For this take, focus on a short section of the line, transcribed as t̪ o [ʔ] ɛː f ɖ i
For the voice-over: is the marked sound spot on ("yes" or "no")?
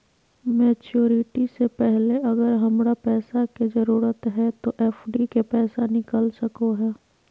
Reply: yes